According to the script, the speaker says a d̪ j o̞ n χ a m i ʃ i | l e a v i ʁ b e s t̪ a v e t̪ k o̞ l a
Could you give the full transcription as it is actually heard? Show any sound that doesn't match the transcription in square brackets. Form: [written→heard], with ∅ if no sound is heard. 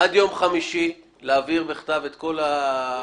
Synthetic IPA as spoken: a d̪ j o̞ [n→m] χ a m i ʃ i | l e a v i ʁ b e [s→χ] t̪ a v e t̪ k o̞ l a